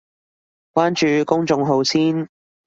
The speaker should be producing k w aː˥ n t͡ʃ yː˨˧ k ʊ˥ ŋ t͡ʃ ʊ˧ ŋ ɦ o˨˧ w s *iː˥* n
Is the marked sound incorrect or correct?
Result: correct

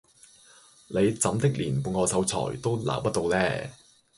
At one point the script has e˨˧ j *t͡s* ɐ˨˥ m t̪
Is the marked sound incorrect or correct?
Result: correct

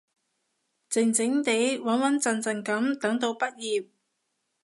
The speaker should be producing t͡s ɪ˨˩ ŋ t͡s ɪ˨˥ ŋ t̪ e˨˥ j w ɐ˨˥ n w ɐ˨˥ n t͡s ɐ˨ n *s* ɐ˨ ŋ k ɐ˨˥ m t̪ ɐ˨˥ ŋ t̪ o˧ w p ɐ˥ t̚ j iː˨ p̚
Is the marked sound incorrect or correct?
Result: incorrect: t͡s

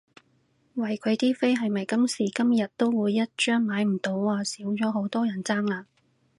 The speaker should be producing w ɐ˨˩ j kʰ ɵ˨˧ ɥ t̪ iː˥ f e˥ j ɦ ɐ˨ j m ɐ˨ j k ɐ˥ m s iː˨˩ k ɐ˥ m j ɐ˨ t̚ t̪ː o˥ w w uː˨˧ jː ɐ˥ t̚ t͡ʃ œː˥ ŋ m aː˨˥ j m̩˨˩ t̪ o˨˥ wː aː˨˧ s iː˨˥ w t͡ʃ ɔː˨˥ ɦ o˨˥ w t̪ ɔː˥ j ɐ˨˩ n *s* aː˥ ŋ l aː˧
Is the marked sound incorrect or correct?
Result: incorrect: t͡s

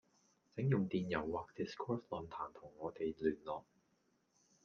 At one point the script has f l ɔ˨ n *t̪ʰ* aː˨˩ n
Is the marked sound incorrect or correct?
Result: correct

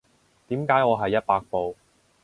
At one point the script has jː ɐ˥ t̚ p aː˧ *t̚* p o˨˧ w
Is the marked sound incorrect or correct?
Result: incorrect: k̚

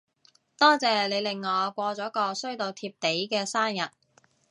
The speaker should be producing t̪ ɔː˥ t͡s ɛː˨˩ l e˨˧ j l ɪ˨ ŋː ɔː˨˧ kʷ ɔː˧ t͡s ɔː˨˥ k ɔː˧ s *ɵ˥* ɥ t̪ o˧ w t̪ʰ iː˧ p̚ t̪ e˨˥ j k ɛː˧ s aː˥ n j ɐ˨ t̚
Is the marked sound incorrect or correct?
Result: correct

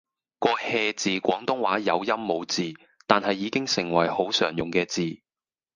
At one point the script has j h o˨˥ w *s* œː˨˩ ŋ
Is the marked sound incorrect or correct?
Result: correct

